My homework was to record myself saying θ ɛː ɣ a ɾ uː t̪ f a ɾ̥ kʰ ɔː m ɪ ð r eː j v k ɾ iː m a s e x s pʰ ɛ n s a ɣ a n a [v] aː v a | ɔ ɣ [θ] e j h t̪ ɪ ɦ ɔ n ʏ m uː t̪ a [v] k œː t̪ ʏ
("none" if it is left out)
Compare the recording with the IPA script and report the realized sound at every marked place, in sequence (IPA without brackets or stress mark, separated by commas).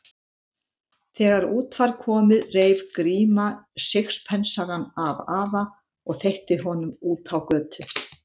v, θ, w